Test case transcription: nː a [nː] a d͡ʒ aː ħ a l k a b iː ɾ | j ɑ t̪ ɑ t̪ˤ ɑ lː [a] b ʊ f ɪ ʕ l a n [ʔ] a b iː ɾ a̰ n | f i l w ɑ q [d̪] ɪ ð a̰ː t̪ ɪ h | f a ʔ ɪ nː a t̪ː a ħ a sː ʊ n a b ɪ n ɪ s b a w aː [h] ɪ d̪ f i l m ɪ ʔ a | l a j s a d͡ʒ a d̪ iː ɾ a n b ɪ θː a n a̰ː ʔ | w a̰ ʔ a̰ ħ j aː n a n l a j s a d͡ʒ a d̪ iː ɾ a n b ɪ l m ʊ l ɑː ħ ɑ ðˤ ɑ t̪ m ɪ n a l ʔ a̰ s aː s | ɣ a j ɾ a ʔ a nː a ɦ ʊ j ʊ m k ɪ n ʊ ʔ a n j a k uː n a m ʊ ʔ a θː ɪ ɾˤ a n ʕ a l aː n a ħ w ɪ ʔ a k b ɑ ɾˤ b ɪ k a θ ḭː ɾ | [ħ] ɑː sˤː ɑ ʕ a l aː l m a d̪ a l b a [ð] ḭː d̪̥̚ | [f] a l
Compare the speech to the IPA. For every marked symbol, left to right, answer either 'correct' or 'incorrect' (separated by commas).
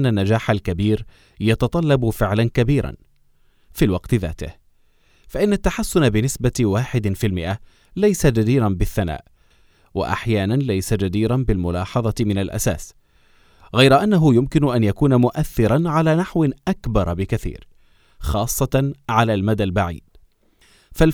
correct, incorrect, incorrect, incorrect, incorrect, incorrect, incorrect, correct